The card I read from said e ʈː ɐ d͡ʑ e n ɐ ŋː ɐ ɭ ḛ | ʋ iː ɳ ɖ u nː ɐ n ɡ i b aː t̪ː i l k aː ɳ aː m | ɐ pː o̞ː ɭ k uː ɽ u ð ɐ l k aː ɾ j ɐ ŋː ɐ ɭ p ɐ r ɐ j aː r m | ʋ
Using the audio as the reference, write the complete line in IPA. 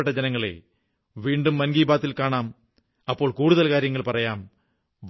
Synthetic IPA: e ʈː ɐ d͡ʑ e n ɐ ŋː ɐ ɭ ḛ | ʋ iː ɳ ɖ u mː ɐ n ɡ iː b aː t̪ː i l k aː ɳ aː m | ɐ pː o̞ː ɭ k uː ɽ u ð ɐ l k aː ɾ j ɐ ŋː ɐ ɭ p ɐ r ɐ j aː m | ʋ